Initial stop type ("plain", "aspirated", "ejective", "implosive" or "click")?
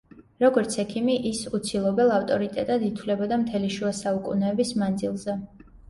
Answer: plain